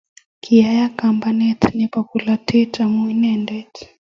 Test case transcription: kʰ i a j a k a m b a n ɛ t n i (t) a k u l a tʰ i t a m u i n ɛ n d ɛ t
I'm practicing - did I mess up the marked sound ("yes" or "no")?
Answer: yes